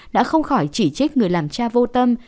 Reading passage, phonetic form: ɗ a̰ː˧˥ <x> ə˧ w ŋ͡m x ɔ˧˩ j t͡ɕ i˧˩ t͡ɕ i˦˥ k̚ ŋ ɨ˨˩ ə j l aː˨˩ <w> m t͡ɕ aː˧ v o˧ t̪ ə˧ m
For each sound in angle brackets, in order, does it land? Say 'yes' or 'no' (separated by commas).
yes, no